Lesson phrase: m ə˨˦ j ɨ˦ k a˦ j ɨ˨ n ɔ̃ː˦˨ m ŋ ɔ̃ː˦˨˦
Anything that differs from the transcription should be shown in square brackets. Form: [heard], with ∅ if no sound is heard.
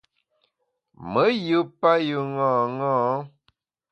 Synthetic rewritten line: m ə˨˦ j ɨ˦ [p] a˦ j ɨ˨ [ŋ] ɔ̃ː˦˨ [∅] ŋ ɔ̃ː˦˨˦